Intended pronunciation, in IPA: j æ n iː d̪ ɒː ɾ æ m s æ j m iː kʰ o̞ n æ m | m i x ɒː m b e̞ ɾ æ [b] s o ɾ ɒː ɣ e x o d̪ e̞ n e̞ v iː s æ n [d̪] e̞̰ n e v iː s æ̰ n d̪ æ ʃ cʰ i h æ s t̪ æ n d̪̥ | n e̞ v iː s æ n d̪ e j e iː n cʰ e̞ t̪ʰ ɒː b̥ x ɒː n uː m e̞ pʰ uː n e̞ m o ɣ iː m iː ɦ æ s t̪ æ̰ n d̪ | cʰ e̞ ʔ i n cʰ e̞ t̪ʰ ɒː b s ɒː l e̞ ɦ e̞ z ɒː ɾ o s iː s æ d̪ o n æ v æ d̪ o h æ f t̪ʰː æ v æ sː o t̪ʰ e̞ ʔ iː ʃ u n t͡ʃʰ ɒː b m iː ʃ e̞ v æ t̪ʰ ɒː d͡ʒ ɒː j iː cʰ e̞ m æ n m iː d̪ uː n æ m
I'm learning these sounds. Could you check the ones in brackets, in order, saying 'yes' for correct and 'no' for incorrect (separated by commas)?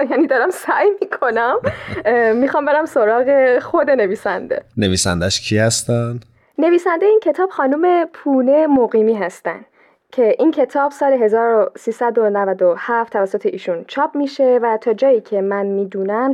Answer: no, yes